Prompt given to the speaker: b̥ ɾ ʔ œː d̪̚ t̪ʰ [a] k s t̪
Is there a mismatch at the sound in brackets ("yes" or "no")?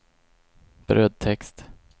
yes